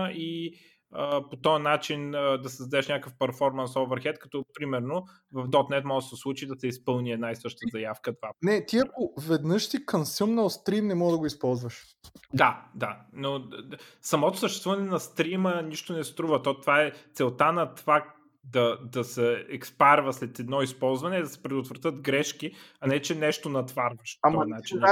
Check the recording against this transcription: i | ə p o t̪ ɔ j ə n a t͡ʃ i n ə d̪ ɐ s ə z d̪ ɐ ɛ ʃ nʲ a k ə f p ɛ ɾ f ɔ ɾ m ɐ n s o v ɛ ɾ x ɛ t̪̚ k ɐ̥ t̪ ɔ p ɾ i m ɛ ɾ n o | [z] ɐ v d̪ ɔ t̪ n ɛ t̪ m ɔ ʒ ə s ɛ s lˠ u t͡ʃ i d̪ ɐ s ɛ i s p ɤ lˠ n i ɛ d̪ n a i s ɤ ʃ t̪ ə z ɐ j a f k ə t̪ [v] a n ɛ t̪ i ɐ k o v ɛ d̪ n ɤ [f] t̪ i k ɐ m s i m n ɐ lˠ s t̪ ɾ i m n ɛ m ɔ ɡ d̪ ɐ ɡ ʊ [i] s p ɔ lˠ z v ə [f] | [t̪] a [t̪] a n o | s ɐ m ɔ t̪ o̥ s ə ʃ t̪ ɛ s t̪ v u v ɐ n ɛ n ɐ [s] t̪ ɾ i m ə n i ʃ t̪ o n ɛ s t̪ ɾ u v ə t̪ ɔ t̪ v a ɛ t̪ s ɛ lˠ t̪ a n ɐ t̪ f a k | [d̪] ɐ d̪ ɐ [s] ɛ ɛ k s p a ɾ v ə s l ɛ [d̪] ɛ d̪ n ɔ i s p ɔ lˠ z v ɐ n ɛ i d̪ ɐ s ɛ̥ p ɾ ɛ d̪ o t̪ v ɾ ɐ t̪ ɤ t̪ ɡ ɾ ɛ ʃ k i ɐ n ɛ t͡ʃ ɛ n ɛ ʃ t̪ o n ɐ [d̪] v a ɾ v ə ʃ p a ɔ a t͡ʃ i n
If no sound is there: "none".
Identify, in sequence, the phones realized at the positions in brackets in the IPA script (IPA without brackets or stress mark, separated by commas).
v, v, ʃ, i, ʃ, d̪, d̪, s, d̪, s, t̪, t̪